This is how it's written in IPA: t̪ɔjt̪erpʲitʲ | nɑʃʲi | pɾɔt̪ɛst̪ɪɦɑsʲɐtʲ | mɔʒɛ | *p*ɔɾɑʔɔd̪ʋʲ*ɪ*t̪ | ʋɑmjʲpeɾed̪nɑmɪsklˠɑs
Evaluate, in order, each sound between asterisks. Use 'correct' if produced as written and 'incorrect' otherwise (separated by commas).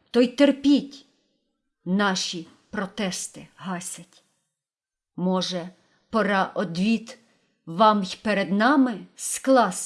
correct, incorrect